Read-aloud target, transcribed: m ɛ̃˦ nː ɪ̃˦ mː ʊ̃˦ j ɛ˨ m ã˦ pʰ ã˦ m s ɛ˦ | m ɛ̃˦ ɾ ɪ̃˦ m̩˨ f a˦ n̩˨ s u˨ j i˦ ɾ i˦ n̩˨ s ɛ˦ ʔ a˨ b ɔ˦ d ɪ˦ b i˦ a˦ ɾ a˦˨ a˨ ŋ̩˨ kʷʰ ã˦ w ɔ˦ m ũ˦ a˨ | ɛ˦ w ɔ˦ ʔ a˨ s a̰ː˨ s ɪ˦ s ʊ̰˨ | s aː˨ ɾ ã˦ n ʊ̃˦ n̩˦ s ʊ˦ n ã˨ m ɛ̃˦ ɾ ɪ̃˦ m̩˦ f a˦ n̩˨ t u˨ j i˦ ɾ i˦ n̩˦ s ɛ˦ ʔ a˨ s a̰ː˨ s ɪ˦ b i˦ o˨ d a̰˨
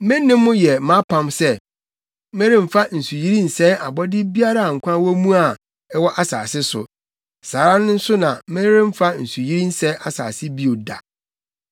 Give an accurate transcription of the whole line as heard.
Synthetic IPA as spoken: m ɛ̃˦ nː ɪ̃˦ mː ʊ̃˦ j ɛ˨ m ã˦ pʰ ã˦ m s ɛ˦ | m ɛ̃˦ ɾ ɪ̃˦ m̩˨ f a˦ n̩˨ s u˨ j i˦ ɾ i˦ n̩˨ s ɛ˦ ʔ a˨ b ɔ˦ d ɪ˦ b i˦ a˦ ɾ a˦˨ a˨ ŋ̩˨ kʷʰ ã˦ w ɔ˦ m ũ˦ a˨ | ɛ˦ w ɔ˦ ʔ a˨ s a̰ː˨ s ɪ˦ s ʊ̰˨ | s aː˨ ɾ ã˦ n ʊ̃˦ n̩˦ s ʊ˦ n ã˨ m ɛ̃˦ ɾ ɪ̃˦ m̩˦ f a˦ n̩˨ s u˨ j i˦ ɾ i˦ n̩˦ s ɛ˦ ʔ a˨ s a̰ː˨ s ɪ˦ b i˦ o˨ d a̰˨

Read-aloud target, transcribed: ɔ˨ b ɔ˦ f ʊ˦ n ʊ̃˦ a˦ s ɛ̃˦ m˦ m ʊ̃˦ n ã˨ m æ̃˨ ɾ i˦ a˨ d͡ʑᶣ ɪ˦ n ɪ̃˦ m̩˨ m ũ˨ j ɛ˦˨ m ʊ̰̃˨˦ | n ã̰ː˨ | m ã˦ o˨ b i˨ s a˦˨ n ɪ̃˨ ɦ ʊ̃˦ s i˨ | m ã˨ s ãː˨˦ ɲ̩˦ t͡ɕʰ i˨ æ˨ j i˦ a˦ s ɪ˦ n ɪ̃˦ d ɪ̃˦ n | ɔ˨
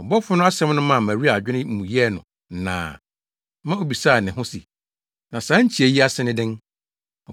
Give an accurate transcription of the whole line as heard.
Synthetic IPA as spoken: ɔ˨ b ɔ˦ f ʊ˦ n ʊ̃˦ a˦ s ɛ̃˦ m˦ n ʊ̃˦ m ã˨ m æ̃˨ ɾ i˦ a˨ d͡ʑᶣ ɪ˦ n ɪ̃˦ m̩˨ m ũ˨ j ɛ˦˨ n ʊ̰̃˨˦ | n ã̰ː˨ | m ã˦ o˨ b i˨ s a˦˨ n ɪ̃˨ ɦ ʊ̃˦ s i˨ | n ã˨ s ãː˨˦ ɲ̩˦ t͡ɕʰ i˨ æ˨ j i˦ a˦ s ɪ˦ n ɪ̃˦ d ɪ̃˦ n | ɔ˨

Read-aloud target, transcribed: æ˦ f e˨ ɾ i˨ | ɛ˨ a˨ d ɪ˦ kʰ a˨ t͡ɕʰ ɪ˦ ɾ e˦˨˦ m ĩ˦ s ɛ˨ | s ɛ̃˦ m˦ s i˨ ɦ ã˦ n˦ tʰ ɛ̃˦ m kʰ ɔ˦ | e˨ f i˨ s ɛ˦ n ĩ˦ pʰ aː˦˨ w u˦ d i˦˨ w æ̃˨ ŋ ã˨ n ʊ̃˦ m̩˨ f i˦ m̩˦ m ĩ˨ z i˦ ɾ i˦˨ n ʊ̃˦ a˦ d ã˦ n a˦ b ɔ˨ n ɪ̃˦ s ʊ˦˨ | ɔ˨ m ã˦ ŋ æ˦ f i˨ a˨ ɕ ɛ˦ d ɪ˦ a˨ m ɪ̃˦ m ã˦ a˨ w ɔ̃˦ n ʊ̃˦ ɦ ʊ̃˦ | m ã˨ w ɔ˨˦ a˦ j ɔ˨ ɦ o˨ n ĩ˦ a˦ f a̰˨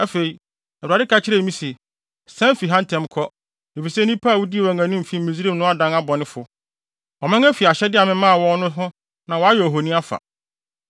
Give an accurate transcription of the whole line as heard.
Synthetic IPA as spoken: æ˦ f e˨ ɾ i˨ | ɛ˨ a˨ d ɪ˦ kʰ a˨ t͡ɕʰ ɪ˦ ɾ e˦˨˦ m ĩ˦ s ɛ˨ | s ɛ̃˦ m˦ f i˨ ɦ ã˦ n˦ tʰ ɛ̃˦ m kʰ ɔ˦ | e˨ f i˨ s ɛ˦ n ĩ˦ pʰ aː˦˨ w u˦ d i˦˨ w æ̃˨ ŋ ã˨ n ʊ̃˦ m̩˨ f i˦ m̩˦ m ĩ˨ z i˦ ɾ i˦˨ n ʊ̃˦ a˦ d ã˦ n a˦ b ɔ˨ n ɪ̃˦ f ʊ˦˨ | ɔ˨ m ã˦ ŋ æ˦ f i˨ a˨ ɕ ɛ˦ d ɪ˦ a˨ m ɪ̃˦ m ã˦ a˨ w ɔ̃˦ n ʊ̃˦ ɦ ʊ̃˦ | n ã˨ w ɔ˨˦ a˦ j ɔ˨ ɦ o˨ n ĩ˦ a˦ f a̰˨

